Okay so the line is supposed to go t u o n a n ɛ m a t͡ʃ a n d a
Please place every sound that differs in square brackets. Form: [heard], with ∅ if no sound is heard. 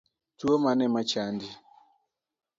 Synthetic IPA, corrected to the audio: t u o [m] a n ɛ m a t͡ʃ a n d [i]